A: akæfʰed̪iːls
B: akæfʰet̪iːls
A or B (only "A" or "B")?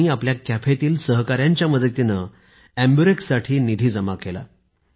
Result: B